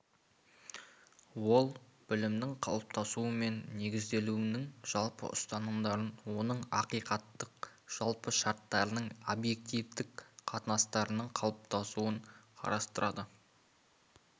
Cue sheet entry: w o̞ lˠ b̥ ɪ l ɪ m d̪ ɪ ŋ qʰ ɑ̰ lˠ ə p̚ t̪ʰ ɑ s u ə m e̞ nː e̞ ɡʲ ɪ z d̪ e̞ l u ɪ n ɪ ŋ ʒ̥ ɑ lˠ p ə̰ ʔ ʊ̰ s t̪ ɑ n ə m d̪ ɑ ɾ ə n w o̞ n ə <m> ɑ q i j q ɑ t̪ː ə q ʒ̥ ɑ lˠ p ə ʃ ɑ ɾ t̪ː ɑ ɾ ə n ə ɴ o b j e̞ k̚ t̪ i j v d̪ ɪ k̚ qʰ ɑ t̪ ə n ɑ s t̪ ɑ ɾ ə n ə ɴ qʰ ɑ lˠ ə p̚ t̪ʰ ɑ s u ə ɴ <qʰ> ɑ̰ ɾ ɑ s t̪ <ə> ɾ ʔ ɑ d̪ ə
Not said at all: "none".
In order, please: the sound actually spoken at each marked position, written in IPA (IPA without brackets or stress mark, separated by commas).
ɴ, qʰ, ə